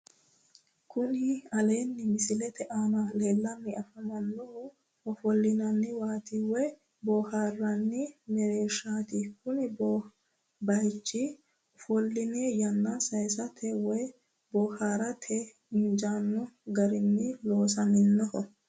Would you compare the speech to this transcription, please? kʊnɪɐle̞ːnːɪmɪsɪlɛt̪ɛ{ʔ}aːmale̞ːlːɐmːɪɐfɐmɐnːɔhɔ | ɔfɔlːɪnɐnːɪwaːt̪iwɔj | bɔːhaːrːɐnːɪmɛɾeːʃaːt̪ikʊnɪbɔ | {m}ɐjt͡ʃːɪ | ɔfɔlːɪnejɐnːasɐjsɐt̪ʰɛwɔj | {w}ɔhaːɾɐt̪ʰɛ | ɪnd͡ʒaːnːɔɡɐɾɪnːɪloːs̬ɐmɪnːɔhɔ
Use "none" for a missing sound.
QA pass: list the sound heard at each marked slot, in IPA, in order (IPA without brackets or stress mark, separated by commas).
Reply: ʔ, b, b